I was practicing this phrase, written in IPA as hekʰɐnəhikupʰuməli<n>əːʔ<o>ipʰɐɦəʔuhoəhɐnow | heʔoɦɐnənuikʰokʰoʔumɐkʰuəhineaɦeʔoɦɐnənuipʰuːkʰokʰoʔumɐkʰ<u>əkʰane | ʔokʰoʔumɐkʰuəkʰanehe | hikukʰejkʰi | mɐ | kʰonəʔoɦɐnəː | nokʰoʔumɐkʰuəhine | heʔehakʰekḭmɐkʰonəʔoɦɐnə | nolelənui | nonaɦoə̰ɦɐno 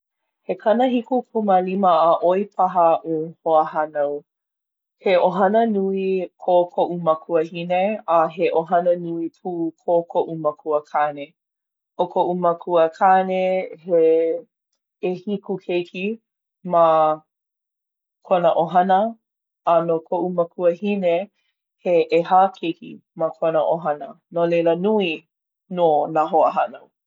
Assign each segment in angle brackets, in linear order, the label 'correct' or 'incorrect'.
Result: incorrect: m, correct, correct

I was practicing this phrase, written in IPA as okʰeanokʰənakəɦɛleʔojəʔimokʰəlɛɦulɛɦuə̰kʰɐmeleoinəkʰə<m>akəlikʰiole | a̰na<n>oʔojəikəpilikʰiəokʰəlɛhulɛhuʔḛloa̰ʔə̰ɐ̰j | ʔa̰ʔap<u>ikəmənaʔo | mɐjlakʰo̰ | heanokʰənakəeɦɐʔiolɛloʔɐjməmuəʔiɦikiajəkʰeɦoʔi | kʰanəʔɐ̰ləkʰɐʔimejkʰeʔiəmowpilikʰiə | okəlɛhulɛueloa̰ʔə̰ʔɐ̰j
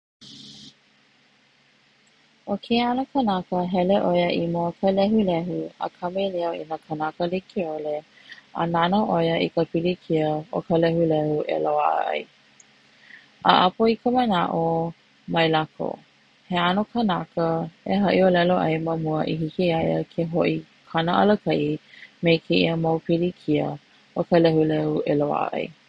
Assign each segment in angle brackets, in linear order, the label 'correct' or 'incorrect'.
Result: incorrect: n, correct, incorrect: o

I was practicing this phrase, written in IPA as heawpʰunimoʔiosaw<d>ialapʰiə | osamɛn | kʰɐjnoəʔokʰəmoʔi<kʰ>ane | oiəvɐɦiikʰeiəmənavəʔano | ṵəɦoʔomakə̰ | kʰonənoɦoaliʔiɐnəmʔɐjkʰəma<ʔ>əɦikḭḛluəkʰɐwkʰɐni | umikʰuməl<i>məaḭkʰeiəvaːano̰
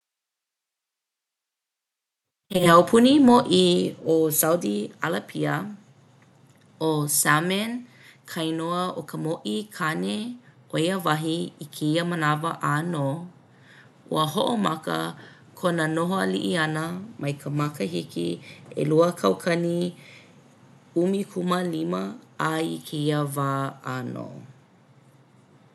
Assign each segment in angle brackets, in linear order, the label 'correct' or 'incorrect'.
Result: correct, correct, incorrect: k, correct

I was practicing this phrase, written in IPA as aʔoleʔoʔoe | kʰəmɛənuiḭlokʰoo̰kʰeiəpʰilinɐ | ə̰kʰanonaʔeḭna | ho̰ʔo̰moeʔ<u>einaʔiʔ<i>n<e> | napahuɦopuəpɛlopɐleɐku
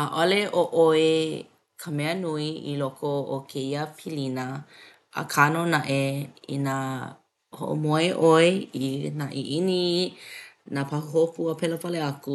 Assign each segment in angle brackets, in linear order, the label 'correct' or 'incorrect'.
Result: incorrect: o, correct, incorrect: i

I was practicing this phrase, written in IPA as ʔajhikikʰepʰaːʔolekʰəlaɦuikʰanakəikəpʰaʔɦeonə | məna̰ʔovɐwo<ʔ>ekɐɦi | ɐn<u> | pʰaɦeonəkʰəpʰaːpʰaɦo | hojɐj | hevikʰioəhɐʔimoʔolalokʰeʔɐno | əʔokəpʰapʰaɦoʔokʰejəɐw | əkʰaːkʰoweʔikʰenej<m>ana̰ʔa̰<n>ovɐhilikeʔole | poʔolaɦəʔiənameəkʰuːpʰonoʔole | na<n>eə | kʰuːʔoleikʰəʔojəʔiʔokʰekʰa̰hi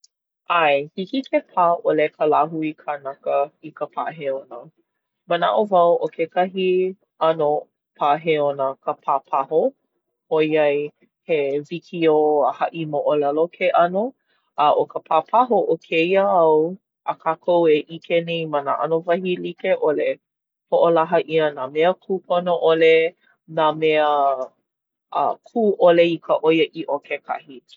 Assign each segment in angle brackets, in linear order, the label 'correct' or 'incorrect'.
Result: incorrect: k, incorrect: o, correct, correct, incorrect: m

